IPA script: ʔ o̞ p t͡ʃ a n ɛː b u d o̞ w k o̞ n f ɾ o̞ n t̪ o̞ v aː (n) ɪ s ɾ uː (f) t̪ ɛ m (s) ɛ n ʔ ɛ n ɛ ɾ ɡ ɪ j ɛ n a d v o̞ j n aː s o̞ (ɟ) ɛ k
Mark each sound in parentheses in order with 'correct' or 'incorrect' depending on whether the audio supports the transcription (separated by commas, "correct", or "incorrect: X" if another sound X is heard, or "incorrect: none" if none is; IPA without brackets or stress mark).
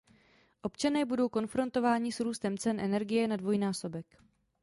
incorrect: ɲ, incorrect: s, incorrect: t͡s, incorrect: b